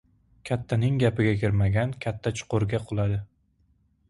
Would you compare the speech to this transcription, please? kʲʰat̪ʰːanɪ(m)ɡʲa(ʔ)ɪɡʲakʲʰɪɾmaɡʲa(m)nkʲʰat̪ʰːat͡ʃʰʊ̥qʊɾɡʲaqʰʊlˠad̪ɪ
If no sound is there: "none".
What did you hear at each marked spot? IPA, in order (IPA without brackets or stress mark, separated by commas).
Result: ŋ, p, none